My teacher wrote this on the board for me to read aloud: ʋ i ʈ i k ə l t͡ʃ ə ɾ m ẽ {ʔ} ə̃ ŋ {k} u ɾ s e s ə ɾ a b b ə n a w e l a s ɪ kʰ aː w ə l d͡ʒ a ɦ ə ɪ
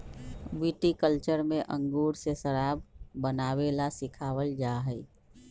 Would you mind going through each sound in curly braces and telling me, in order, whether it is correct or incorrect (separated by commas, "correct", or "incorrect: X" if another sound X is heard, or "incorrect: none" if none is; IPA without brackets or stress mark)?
correct, incorrect: ɡ